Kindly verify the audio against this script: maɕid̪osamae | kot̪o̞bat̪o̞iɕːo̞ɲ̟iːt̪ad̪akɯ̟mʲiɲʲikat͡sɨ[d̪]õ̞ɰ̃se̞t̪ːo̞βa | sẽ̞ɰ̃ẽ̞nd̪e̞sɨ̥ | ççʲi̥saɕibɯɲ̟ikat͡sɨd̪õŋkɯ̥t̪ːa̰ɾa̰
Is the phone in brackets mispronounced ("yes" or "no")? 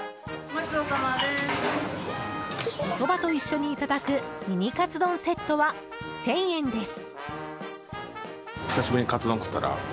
no